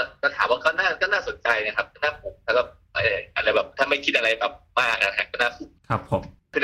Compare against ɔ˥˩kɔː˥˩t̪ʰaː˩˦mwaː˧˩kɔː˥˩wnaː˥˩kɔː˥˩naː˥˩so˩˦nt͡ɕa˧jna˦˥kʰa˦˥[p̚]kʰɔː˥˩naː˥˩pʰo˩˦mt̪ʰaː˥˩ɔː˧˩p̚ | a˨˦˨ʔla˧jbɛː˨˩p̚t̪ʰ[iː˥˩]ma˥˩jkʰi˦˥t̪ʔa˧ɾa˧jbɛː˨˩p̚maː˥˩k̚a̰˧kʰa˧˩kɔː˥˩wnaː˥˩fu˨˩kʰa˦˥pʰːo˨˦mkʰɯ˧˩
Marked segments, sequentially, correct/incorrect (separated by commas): correct, incorrect